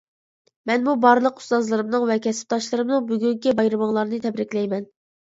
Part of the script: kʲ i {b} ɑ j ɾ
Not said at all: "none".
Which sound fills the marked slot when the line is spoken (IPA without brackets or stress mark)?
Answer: b